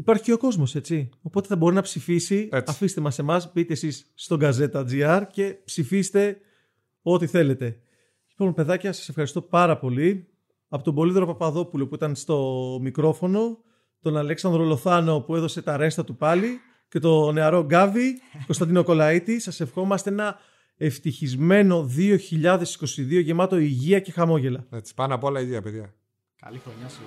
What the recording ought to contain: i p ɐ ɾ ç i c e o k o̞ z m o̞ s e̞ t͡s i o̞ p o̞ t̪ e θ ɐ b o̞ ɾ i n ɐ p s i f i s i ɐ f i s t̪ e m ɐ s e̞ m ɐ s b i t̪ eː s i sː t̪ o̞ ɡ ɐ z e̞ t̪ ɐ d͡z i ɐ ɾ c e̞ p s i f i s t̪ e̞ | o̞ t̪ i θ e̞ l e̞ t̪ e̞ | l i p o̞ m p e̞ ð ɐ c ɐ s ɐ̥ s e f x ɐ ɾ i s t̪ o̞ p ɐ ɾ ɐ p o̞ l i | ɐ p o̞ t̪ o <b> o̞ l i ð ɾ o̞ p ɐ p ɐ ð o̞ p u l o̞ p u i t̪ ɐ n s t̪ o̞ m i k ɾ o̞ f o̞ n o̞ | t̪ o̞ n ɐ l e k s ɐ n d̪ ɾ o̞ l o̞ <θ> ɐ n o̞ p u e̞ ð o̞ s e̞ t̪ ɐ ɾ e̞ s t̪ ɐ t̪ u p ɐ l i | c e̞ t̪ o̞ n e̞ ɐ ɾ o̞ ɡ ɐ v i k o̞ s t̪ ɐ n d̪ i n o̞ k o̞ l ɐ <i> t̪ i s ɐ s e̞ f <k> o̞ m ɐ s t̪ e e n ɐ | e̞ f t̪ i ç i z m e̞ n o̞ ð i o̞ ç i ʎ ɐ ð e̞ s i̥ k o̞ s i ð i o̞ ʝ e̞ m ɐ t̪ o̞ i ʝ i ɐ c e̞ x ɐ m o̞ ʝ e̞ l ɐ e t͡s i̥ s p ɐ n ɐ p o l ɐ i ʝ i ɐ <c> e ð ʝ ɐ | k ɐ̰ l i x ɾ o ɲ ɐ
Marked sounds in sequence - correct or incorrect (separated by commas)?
correct, correct, correct, incorrect, incorrect